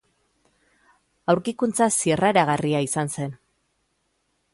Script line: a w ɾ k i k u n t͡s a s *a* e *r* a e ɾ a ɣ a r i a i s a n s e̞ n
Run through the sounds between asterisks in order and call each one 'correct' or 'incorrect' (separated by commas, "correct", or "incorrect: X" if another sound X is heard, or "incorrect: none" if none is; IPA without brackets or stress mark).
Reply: incorrect: i, correct